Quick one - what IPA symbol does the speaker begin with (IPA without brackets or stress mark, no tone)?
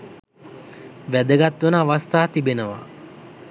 ʋ